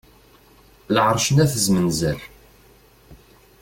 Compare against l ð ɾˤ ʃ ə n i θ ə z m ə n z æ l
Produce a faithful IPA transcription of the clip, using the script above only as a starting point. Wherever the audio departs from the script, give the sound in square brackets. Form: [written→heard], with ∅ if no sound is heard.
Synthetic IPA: l [ð→ʕ] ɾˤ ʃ ə n [i→æ] θ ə z m ə n z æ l